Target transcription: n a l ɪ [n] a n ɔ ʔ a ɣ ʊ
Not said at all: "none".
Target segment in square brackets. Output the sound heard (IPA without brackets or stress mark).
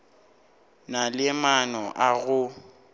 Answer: m